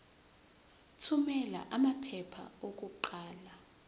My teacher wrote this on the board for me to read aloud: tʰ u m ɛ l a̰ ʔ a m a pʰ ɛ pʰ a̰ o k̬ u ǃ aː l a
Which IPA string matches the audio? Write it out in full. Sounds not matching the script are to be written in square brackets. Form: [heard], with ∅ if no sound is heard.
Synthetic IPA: tʰ u m ɛ l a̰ ʔ a m a pʰ ɛ pʰ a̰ o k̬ u ǃ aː l a